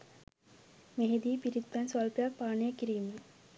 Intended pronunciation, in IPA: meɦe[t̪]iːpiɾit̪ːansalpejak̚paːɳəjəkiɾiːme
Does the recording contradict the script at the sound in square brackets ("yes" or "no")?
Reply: yes